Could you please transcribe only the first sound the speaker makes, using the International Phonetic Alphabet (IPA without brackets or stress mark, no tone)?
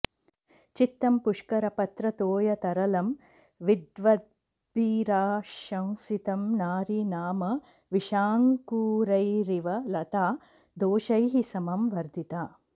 t͡ʃ